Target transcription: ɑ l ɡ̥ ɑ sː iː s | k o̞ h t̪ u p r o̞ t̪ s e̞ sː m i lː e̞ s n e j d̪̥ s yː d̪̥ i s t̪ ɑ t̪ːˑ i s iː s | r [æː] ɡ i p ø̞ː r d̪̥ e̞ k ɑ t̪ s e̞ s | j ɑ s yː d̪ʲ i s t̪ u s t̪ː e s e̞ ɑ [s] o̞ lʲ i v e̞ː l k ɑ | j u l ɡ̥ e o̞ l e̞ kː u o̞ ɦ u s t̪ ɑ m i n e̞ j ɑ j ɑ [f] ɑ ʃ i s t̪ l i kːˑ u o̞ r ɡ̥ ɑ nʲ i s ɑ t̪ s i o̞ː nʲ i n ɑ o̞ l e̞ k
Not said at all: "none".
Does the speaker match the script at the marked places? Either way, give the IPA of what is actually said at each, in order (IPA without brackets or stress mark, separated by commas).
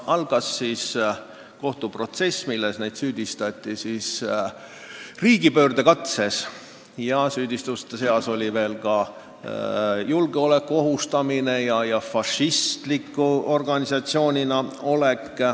iː, s, f